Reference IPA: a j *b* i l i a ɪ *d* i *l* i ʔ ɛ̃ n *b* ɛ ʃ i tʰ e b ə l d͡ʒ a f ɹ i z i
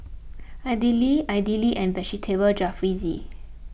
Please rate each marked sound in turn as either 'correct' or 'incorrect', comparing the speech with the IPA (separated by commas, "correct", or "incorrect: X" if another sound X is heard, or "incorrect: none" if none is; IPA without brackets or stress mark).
incorrect: d, correct, correct, correct